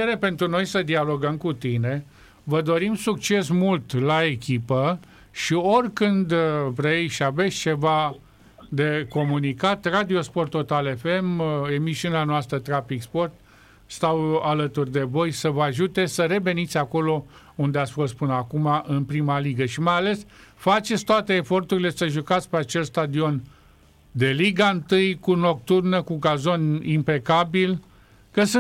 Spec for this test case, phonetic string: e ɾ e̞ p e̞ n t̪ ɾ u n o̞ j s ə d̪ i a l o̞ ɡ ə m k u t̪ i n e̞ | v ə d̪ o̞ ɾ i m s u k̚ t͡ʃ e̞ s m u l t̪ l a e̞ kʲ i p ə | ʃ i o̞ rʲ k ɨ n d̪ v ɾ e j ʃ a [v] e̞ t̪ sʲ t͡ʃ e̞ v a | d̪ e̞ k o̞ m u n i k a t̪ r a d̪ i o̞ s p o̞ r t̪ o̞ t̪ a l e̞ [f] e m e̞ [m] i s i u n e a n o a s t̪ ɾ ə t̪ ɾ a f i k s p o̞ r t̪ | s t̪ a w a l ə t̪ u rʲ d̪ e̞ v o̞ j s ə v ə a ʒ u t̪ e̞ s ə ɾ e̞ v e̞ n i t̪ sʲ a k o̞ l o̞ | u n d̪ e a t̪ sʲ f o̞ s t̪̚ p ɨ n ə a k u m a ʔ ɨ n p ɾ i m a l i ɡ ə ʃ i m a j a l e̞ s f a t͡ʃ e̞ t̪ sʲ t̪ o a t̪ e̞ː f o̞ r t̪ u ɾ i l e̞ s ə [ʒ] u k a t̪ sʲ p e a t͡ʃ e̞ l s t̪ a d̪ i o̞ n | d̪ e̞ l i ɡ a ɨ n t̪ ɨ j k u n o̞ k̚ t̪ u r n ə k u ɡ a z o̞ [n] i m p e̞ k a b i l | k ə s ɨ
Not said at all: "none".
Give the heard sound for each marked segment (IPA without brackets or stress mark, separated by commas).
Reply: v, f, m, ʒ, n